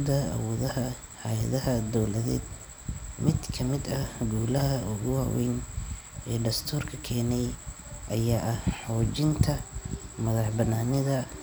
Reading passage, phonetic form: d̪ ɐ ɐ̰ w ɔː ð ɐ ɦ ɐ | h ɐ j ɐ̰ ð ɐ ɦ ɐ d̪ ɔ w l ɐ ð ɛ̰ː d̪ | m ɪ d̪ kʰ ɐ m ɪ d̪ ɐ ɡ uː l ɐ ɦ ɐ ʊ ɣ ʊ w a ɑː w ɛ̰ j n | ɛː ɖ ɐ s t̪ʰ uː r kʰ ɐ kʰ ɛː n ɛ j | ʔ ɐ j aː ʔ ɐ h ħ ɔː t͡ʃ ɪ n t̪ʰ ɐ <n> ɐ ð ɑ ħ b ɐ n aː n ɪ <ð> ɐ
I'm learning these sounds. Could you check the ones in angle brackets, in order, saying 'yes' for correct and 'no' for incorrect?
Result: no, yes

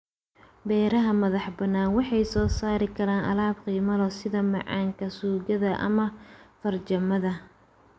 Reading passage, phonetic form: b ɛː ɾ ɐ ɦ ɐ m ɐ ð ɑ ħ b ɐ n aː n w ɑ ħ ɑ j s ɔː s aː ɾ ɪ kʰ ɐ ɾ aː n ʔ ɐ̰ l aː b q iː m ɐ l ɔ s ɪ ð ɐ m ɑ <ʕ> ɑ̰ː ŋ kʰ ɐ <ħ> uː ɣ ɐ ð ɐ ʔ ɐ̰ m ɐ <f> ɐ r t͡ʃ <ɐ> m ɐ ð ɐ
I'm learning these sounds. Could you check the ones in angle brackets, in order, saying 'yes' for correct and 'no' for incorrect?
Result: yes, no, yes, yes

